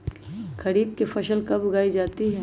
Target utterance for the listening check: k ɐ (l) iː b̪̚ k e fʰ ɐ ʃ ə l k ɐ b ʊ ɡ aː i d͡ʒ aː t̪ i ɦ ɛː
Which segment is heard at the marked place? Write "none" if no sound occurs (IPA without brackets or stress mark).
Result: ɾ